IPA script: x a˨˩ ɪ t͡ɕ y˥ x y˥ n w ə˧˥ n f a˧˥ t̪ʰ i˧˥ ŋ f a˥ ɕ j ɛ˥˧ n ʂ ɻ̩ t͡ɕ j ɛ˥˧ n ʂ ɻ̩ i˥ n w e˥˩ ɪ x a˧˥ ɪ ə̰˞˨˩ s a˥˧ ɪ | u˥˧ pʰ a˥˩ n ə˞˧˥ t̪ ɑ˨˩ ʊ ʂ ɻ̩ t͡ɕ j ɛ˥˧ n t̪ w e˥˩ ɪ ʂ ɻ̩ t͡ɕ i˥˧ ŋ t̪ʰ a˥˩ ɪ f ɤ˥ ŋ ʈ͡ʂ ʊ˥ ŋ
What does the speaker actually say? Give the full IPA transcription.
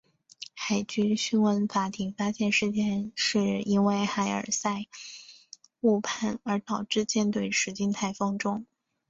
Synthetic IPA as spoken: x a˨˩ ɪ t͡ɕ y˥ ɕ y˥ n w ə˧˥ n f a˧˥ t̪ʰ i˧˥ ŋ f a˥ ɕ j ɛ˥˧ n ʂ ɻ̩ t͡ɕ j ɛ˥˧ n ʂ ɻ̩ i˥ n w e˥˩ ɪ x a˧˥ ɪ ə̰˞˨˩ s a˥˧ ɪ | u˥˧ pʰ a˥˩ n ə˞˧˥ t̪ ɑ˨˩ ʊ ʈ͡ʂ ɻ̩ t͡ɕ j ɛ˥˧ n t̪ w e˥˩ ɪ ʂ ɻ̩ t͡ɕ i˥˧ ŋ t̪ʰ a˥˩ ɪ f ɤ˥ ŋ ʈ͡ʂ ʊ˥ ŋ

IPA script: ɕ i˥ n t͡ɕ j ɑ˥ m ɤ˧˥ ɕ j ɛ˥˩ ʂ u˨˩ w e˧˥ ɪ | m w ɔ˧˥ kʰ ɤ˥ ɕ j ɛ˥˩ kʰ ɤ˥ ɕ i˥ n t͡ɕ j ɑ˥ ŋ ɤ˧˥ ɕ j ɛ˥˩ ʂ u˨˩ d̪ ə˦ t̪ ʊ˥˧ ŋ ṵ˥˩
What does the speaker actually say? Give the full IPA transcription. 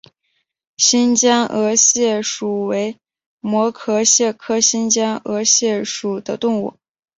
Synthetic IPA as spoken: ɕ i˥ n t͡ɕ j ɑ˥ ŋ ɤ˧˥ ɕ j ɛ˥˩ ʂ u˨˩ w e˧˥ ɪ | m w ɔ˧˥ kʰ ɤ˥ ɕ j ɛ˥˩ kʰ ɤ˥ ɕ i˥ n t͡ɕ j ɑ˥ ŋ ɤ˧˥ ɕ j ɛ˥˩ ʂ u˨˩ d̪ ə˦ t̪ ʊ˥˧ ŋ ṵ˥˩

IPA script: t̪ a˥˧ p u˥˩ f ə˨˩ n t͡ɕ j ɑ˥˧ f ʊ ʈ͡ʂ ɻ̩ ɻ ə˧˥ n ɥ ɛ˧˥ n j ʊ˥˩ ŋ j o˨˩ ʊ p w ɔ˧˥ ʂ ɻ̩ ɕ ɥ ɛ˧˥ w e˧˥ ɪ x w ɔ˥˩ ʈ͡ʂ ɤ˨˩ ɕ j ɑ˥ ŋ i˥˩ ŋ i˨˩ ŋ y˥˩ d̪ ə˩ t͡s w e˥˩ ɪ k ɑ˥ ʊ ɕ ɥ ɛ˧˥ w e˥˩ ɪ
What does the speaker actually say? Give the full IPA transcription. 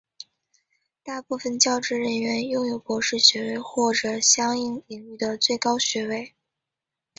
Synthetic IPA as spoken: t̪ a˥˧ p u˥˩ f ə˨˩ n t͡ɕ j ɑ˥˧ ʊ ʈ͡ʂ ɻ̩ ɻ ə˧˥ n ɥ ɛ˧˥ n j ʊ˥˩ ŋ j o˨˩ ʊ p w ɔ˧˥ ʂ ɻ̩ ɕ ɥ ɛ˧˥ w e˥˧ ɪ x w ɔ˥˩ ʈ͡ʂ ɤ˨˩ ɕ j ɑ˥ ŋ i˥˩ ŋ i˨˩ ŋ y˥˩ d̪ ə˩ t͡s w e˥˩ ɪ k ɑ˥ ʊ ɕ ɥ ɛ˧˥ w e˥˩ ɪ

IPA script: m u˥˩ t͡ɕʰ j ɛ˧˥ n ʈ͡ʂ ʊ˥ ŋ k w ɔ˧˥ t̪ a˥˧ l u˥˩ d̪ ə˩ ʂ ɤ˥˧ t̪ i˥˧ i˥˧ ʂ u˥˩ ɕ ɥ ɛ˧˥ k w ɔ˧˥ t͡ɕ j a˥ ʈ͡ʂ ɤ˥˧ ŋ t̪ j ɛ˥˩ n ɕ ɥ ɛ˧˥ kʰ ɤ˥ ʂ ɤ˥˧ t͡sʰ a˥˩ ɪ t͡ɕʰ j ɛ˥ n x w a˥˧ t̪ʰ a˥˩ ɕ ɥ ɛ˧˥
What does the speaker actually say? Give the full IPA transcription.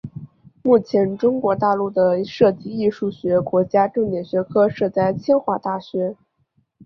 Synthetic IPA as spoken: m u˥˩ t͡ɕʰ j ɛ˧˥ n ʈ͡ʂ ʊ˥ ŋ k w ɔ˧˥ t̪ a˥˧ l u˥˩ d̪ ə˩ ʂ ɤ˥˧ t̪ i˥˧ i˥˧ ʂ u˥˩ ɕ ɥ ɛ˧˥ k w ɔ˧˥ t͡ɕ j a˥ ʈ͡ʂ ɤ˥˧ ŋ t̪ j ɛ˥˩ n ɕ ɥ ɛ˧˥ kʰ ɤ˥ ʂ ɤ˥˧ t͡s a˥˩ ɪ t͡ɕʰ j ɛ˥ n x w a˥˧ t̪ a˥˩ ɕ ɥ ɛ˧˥

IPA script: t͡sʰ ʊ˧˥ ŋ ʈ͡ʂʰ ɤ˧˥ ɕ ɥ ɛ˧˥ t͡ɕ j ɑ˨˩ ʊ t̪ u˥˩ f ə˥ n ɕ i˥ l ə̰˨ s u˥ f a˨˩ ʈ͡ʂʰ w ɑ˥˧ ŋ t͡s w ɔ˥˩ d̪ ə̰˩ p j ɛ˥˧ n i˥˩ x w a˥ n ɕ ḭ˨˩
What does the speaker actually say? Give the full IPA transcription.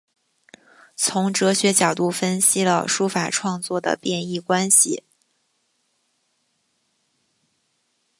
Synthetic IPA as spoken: t͡sʰ ʊ˧˥ ŋ ʈ͡ʂ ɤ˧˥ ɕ ɥ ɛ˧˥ t͡ɕ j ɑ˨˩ ʊ t̪ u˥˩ f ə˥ n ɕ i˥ l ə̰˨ ʂ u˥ f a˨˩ ʈ͡ʂʰ w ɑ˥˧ ŋ t͡s w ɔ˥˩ d̪ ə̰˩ p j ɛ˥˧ n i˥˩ k w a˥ n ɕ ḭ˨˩

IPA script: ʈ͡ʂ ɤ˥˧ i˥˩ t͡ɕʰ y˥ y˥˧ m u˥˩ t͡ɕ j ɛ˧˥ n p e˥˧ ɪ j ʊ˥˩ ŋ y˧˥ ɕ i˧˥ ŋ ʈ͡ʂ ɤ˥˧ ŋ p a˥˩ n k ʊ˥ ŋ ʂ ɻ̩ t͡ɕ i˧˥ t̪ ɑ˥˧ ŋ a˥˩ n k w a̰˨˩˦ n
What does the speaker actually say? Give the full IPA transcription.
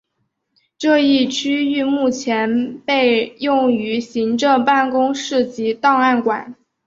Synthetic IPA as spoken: ʈ͡ʂ ɤ˥˧ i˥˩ t͡ɕʰ y˥ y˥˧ m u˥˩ t͡ɕʰ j ɛ˧˥ n p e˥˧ ɪ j ʊ˥˩ ŋ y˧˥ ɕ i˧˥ ŋ ʈ͡ʂ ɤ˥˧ ŋ p a˥˩ n k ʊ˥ ŋ ʂ ɻ̩ t͡ɕ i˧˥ t̪ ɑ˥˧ ŋ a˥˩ n k w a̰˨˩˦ n

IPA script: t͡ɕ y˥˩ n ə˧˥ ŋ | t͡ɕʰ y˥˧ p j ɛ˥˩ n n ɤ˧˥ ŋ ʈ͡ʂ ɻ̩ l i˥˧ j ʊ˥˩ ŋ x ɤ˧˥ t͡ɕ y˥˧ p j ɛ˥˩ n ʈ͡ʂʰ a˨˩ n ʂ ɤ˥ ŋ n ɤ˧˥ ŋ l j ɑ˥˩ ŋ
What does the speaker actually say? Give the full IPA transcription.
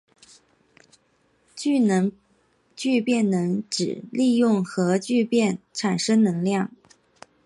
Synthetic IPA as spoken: t͡ɕ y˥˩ n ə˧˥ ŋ | t͡ɕ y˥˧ p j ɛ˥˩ n n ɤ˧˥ ŋ ʈ͡ʂ ɻ̩ l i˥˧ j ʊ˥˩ ŋ x ɤ˧˥ t͡ɕ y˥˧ p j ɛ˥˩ n ʈ͡ʂʰ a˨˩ n ʂ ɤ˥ ŋ n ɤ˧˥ ŋ l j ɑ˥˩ ŋ

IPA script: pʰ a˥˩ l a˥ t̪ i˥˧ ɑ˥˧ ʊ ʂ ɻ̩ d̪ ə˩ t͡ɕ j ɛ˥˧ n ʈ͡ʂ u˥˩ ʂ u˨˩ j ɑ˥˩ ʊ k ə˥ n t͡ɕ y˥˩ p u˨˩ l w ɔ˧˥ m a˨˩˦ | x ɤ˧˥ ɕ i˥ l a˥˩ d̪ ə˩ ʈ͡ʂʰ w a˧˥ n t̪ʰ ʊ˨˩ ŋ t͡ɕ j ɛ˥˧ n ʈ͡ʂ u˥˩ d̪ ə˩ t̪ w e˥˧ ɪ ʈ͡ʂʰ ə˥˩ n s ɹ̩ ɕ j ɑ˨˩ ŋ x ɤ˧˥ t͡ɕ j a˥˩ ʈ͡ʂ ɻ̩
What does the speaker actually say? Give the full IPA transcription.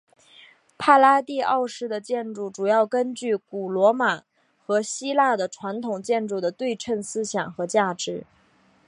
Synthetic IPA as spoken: pʰ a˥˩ l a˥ t̪ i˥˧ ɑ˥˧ ʊ ʂ ɻ̩ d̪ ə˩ t͡ɕ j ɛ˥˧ n ʈ͡ʂ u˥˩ ʈ͡ʂ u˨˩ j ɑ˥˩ ʊ k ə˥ n t͡ɕ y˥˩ k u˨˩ l w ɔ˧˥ m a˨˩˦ | x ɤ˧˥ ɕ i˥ l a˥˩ d̪ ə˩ ʈ͡ʂʰ w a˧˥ n t̪ʰ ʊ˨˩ ŋ t͡ɕ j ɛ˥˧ n ʈ͡ʂ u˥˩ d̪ ə˩ t̪ w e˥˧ ɪ ʈ͡ʂʰ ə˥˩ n s ɹ̩ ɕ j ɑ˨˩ ŋ x ɤ˧˥ t͡ɕ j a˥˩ ʈ͡ʂ ɻ̩

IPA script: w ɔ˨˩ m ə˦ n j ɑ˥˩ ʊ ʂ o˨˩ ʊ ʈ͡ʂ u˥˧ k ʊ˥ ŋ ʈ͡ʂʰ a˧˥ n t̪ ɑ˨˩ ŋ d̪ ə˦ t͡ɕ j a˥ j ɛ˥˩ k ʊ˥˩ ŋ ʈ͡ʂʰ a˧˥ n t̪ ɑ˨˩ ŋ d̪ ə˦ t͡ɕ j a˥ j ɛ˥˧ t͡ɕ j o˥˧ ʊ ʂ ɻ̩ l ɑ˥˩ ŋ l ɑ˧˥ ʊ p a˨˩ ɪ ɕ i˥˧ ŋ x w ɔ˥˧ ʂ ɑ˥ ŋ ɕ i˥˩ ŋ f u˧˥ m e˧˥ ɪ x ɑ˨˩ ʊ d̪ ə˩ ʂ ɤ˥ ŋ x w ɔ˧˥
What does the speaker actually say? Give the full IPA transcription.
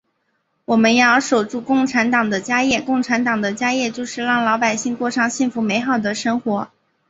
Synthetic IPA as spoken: w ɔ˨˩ m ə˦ n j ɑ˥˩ ʊ ʂ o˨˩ ʊ ʈ͡ʂ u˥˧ k ʊ˥˩ ŋ ʈ͡ʂʰ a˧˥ n t̪ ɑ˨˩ ŋ d̪ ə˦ t͡ɕ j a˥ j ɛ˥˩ k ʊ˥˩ ŋ ʈ͡ʂʰ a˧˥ n t̪ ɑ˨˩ ŋ d̪ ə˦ t͡ɕ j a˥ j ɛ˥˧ t͡ɕ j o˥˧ ʊ ʂ ɻ̩ l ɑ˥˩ ŋ l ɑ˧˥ ʊ p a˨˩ ɪ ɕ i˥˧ ŋ k w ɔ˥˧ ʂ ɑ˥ ŋ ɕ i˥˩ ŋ f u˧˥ m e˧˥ ɪ x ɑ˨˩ ʊ d̪ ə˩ ʂ ɤ˥ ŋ x w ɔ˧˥

